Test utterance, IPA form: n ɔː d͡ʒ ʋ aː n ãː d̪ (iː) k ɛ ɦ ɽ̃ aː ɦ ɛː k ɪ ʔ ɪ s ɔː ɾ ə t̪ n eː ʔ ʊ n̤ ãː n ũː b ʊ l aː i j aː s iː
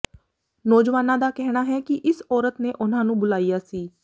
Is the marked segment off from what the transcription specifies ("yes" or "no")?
yes